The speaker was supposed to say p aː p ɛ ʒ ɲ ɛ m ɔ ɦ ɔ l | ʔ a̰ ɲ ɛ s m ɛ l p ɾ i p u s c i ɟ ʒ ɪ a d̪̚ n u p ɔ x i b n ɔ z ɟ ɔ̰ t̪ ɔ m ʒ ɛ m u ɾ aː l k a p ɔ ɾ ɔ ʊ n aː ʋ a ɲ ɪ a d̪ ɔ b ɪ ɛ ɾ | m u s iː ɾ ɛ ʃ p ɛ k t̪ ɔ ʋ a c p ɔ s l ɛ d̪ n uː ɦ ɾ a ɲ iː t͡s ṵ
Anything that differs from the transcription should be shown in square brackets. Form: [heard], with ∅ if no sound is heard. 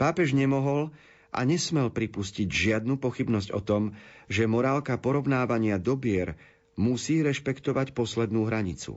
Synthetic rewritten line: p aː p ɛ ʒ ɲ ɛ m ɔ ɦ ɔ l | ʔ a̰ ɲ ɛ s m ɛ l p ɾ i p u s c i ɟ ʒ ɪ a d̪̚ n u p ɔ x i b n ɔ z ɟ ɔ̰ t̪ ɔ m ʒ ɛ m [ɔ] ɾ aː l k a p ɔ ɾ ɔ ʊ n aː ʋ a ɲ ɪ a d̪ ɔ b ɪ ɛ ɾ | m u s iː ɾ ɛ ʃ p ɛ k t̪ ɔ ʋ a c p ɔ s l ɛ d̪ n uː ɦ ɾ a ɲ [i] t͡s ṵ